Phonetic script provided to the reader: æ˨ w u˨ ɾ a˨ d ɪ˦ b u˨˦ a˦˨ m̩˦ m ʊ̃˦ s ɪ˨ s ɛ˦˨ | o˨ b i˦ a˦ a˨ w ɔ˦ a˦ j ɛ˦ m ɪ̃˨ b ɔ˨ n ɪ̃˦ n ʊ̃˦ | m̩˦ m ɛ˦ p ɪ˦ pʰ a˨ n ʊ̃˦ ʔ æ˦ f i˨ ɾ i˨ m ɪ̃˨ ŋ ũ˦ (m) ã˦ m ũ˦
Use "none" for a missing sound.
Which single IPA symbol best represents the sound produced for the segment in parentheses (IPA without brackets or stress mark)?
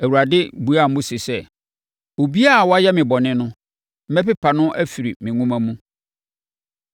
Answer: m